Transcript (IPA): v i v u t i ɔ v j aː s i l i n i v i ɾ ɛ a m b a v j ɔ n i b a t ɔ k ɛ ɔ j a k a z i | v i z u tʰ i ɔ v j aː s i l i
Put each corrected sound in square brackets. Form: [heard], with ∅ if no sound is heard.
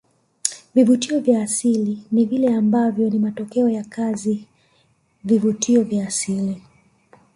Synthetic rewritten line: v i v u t i ɔ v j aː s i l i n i v i [l] ɛ a m b a v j ɔ n i [m] a t ɔ k ɛ ɔ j a k a z i | v i [v] u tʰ i ɔ v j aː s i l i